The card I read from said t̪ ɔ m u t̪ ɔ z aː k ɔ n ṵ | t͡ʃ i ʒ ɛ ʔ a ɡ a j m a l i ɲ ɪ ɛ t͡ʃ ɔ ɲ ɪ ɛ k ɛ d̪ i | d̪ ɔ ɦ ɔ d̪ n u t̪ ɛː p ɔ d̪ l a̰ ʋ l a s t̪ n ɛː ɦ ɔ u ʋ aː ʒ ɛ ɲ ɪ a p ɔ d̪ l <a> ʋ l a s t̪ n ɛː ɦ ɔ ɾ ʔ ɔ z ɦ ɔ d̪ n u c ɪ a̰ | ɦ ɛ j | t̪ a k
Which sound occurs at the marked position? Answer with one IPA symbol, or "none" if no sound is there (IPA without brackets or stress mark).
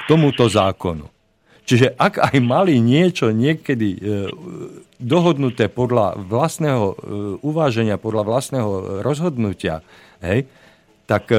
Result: a